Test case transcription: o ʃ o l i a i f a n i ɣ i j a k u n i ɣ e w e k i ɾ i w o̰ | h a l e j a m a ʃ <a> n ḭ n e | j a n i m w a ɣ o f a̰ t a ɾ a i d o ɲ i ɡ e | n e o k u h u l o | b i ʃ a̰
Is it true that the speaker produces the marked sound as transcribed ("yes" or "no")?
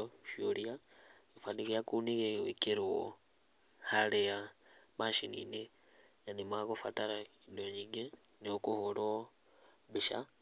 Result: no